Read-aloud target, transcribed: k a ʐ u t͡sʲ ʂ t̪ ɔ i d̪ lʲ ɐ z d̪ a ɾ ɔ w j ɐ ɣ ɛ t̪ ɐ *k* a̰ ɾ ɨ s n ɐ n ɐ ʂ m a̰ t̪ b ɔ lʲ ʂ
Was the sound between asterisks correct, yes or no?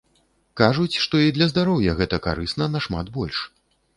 yes